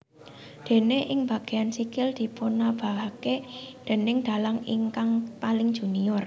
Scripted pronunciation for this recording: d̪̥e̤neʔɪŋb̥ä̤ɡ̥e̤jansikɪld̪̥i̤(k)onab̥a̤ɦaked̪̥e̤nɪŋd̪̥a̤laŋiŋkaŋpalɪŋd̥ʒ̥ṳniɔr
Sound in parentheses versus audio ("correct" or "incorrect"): incorrect